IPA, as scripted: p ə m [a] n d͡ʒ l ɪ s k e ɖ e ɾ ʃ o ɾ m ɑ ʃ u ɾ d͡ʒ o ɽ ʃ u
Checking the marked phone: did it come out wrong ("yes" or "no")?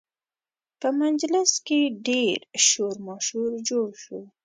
no